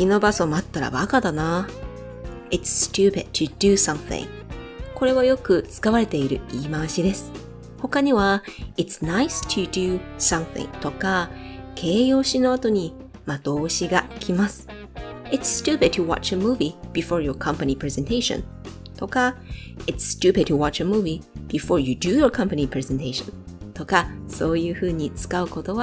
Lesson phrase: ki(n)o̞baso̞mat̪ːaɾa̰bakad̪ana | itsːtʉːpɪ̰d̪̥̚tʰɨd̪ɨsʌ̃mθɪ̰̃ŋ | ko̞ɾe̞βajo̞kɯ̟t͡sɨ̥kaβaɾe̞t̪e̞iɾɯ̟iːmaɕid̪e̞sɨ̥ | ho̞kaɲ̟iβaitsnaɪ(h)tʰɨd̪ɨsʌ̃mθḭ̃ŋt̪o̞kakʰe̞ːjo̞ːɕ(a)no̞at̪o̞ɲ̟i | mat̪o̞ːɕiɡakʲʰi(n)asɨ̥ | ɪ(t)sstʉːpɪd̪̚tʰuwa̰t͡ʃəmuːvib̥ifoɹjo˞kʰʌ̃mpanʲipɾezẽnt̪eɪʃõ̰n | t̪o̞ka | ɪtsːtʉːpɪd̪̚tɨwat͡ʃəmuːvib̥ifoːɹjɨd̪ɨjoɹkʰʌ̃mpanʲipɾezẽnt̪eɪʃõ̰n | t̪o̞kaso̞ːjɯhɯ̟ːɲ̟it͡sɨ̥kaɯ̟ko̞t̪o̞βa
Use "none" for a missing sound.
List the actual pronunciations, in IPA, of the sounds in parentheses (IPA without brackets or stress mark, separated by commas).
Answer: n, s, i, m, t